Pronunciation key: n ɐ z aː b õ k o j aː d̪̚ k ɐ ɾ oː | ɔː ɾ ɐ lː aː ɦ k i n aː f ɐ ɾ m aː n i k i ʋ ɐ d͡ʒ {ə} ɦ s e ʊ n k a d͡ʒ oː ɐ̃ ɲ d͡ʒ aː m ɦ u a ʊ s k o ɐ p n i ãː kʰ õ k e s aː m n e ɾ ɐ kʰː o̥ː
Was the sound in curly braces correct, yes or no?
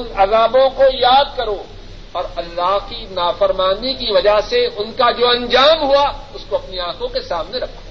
no